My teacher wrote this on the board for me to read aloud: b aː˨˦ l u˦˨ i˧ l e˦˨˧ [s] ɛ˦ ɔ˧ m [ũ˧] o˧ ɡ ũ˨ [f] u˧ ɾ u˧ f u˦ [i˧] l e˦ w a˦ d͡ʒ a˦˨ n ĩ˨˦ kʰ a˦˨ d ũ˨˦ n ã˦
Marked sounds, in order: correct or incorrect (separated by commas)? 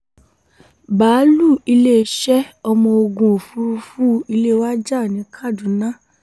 incorrect, incorrect, correct, correct